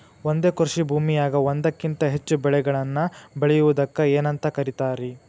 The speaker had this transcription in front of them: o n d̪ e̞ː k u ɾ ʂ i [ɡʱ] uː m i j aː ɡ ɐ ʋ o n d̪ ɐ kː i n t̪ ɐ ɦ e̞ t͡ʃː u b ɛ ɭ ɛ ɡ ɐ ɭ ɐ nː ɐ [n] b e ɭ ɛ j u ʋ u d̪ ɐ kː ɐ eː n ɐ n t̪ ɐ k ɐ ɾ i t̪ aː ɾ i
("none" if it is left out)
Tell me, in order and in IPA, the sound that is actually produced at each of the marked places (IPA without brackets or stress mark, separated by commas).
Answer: bʱ, none